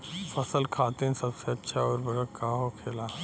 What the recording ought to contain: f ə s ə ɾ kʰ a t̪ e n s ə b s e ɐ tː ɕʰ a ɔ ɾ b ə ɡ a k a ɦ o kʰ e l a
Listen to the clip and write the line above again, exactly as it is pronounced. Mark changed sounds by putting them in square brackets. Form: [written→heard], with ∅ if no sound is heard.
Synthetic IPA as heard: f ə s ə [ɾ→l] kʰ a t̪ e n s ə b s e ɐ tː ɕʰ a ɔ ɾ b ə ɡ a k a ɦ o kʰ e l a